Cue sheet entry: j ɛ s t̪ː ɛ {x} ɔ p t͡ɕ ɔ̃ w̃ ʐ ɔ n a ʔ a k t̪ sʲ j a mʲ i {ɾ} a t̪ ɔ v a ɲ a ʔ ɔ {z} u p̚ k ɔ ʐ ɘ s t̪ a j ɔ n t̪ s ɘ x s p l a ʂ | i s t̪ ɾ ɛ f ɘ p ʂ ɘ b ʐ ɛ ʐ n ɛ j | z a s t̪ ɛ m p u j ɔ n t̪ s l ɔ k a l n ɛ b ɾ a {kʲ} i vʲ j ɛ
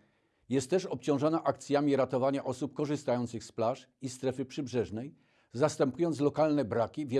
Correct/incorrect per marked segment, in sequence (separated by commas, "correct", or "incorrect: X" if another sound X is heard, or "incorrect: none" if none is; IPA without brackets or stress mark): incorrect: ʂ, correct, incorrect: s, correct